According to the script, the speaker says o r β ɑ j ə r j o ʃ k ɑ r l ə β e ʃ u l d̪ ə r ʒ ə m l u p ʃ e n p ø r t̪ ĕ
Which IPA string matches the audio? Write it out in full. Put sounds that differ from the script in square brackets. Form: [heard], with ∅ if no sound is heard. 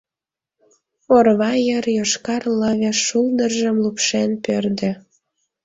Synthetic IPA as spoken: o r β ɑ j ə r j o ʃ k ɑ r l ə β e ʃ u l d̪ ə r ʒ ə m l u p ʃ e n p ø r [d̪] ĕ